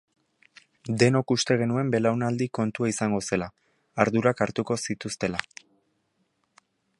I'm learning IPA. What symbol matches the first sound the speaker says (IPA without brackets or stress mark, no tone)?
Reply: d̪